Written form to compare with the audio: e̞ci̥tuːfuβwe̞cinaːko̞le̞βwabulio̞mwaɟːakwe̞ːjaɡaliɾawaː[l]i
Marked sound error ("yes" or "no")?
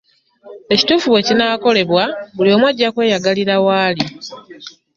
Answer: no